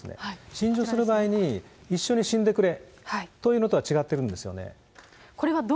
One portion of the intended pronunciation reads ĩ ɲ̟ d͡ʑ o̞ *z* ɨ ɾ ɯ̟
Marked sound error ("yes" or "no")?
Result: yes